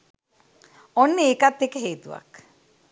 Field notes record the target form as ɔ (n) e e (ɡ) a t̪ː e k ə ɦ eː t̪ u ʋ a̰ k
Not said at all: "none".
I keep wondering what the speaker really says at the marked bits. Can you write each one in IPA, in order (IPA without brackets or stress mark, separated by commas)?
nː, k